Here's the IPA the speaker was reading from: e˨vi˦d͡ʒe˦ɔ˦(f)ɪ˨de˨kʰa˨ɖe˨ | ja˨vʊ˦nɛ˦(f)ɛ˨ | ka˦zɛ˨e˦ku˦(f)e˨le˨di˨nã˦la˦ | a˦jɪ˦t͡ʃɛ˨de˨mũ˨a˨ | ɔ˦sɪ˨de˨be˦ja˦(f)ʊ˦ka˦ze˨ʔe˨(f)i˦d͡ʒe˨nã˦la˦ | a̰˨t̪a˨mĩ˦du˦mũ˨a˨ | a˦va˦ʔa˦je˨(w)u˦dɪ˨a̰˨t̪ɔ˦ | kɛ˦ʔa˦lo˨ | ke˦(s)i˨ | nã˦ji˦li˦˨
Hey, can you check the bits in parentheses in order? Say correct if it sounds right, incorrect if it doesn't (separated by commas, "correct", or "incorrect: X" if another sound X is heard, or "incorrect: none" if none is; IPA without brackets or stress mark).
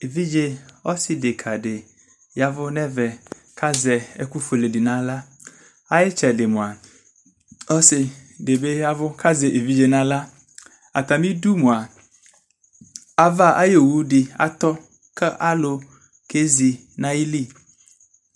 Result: incorrect: s, incorrect: v, correct, incorrect: v, incorrect: v, correct, incorrect: z